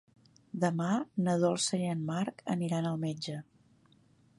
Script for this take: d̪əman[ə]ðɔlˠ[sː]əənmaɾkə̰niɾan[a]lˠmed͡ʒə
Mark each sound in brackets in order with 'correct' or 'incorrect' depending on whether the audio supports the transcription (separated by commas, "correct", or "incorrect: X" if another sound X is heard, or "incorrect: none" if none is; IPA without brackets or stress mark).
correct, incorrect: s, incorrect: ə